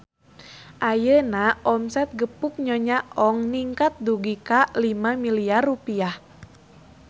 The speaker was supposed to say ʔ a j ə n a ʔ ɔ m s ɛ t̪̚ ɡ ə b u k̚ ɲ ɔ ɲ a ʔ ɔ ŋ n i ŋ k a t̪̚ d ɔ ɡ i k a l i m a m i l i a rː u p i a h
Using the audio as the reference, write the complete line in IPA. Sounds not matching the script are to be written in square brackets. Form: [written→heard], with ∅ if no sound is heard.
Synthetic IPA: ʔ a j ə n a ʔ ɔ m s ɛ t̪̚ ɡ ə [b→p] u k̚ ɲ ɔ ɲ a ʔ ɔ ŋ n i ŋ k a t̪̚ d [ɔ→u] ɡ i k a l i m a m i l i a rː u p i a h